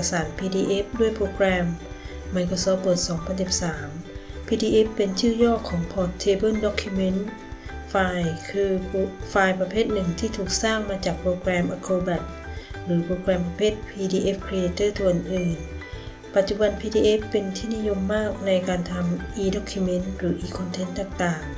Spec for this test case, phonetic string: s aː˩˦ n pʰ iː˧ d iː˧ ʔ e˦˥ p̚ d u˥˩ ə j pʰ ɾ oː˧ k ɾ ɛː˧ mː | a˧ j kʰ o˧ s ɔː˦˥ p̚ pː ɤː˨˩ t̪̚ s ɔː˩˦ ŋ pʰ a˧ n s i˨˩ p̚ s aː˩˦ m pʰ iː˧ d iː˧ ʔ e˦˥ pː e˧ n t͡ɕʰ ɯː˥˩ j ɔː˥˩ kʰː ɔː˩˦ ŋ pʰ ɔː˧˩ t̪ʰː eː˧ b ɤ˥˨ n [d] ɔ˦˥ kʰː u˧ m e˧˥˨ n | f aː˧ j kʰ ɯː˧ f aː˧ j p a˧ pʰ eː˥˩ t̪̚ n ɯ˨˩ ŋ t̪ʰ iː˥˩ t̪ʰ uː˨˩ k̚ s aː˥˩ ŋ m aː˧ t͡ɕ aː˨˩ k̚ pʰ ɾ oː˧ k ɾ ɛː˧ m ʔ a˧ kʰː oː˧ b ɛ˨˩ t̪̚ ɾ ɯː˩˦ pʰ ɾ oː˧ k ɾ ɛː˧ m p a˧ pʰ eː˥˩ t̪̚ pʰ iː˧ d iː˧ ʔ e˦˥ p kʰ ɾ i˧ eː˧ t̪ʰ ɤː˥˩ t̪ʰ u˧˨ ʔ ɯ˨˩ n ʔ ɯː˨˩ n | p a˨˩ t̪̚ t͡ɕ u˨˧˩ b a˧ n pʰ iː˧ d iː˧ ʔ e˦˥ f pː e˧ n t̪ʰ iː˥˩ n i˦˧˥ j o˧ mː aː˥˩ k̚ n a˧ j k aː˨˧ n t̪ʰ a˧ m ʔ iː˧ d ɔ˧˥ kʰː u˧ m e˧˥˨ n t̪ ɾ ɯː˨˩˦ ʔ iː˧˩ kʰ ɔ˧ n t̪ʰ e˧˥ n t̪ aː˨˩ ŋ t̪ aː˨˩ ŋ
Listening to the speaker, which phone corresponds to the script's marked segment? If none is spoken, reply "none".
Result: d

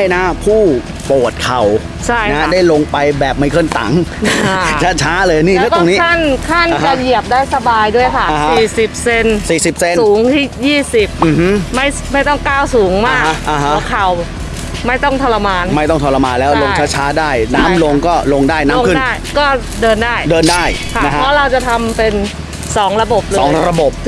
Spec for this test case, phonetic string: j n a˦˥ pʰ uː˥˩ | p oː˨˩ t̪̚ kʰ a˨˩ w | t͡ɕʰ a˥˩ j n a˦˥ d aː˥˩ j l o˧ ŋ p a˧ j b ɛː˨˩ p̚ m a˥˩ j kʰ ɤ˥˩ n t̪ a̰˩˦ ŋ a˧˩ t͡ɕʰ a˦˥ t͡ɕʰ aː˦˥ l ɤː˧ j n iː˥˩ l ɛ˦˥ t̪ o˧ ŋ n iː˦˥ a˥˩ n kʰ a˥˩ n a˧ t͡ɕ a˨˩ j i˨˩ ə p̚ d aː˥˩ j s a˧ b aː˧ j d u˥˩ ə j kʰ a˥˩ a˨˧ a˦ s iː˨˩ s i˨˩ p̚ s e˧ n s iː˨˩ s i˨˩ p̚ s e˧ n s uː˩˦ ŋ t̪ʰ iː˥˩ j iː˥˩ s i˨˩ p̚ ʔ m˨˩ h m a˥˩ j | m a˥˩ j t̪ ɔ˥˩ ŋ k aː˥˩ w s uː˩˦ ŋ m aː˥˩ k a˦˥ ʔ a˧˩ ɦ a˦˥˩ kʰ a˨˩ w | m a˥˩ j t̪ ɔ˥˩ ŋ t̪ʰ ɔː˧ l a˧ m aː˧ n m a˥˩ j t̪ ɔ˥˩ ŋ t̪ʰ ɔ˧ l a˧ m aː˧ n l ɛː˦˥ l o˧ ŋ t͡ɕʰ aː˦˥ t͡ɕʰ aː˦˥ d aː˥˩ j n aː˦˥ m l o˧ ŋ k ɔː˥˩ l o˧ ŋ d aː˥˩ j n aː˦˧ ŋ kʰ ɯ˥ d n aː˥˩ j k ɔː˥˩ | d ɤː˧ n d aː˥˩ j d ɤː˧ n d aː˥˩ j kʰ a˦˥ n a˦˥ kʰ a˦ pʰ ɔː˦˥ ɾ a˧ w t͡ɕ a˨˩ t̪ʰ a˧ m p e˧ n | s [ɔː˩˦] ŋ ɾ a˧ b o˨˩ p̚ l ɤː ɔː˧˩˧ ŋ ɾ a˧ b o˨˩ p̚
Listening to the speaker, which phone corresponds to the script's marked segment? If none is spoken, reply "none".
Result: ɔː˩˦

